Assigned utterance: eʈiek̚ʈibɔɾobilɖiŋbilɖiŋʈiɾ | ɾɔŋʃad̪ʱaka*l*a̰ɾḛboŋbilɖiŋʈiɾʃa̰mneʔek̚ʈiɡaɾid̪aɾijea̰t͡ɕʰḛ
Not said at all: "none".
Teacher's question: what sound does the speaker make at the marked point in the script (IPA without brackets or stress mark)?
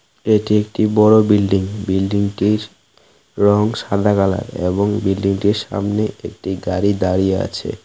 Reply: l